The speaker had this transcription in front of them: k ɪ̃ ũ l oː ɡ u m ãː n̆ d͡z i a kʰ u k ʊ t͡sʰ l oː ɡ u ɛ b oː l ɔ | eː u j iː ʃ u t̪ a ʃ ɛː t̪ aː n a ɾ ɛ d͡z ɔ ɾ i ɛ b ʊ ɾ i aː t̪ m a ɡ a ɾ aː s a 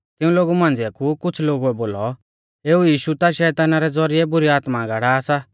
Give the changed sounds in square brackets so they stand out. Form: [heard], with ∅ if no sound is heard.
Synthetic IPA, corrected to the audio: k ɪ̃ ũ l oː ɡ u m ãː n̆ d͡z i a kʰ u k ʊ t͡sʰ l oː ɡ u ɛ b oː l ɔ | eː u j iː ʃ u t̪ a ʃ ɛː t̪ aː n a ɾ ɛ d͡z ɔ ɾ i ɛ b ʊ ɾ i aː t̪ m a ɡ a [ɽ] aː s a

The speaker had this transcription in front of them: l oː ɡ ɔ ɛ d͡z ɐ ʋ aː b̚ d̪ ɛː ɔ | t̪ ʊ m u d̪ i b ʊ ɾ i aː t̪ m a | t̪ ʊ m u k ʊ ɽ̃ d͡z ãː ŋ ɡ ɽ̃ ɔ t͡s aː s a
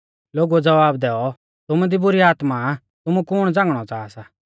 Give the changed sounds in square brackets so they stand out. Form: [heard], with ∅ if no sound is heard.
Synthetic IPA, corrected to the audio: l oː ɡ [u] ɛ d͡z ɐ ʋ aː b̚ d̪ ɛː ɔ | t̪ ʊ m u d̪ i b ʊ ɾ i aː t̪ m a | t̪ ʊ m u k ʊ ɽ̃ d͡z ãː ŋ ɡ ɽ̃ ɔ t͡s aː s a

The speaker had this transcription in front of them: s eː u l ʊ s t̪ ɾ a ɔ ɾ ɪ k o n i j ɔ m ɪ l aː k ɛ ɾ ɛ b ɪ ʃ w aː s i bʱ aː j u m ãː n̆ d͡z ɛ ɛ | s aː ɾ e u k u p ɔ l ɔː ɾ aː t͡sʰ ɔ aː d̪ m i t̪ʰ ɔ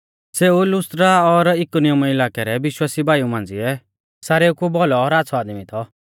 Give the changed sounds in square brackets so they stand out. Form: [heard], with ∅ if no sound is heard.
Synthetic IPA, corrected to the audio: s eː u l ʊ s t̪ ɾ a ɔ ɾ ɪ k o n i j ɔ m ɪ l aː k ɛ ɾ ɛ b ɪ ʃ w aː s i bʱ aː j u m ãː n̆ d͡z [i] ɛ | s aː ɾ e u k u [b] ɔ l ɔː ɾ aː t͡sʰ ɔ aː d̪ m i t̪ʰ ɔ

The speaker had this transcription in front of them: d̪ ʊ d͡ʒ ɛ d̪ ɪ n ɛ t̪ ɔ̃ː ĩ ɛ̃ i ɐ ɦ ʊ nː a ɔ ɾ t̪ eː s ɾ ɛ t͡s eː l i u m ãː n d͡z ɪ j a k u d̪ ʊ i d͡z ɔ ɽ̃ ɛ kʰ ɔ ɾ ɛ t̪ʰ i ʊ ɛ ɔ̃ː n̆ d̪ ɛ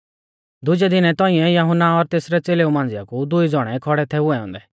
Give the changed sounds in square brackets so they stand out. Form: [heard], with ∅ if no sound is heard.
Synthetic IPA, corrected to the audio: d̪ ʊ d͡ʒ ɛ d̪ ɪ n ɛ t̪ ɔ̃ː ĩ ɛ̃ [j] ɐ ɦ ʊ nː a ɔ ɾ t̪ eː s ɾ ɛ t͡s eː l [e] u m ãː n d͡z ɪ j a k u d̪ ʊ i d͡z ɔ ɽ̃ ɛ kʰ ɔ [ɽ] ɛ t̪ʰ [ɛ] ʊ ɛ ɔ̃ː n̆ d̪ ɛ

